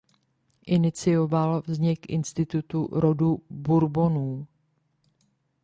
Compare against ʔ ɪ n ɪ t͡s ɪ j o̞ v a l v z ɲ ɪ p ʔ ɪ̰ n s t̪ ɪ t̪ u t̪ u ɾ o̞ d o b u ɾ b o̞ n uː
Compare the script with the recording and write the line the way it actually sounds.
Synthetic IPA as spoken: ʔ ɪ n ɪ t͡s ɪ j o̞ v a l v z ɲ ɪ k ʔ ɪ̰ n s t̪ ɪ t̪ u t̪ u ɾ o̞ d u b u ɾ b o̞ n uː